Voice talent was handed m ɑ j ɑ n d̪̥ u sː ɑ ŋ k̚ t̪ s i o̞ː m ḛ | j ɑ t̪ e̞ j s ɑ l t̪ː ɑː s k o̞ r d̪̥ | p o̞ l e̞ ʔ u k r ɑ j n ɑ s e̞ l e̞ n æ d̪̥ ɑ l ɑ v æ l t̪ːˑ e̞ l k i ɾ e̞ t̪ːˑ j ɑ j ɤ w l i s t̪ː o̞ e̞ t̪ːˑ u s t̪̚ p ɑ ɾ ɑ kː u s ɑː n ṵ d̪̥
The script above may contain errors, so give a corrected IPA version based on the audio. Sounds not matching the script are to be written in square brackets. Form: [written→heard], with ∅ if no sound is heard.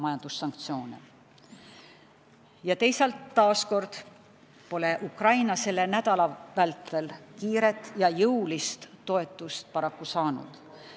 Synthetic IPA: m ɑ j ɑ n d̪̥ u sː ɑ ŋ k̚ t̪ s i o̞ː [m→n] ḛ | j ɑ t̪ e̞ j s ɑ l t̪ː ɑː s k o̞ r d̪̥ | p o̞ l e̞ ʔ u k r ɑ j n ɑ s e̞ l e̞ n æ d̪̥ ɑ l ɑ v æ l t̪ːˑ e̞ l k [i→iː] ɾ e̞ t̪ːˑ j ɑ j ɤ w l i s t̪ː o̞ e̞ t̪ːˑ u s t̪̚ p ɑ ɾ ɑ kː u s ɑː n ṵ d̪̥